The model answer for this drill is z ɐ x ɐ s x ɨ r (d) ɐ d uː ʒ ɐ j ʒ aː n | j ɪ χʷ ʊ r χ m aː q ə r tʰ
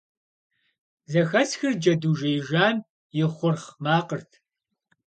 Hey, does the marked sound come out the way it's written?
no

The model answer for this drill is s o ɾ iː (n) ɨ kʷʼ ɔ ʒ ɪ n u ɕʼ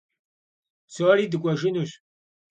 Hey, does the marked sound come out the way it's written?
no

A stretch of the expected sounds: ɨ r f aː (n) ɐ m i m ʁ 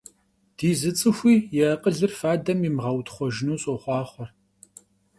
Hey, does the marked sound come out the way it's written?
no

